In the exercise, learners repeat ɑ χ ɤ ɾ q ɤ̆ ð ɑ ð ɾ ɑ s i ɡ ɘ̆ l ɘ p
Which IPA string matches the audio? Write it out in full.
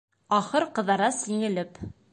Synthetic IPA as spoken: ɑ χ ɤ ɾ q ɤ̆ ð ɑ ɾ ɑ s i ŋ ɘ̆ l ɘ p